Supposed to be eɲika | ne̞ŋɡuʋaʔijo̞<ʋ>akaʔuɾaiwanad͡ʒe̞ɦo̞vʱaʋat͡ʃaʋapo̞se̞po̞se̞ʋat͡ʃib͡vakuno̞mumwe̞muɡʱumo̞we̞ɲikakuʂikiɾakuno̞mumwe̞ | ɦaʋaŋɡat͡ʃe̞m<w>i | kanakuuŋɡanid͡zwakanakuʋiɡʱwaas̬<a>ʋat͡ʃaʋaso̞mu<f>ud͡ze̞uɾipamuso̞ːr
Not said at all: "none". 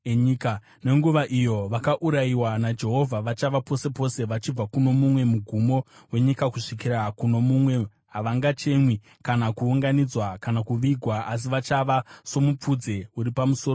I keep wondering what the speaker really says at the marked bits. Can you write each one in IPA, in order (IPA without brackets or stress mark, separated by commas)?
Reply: ʋ, w, i, p͡f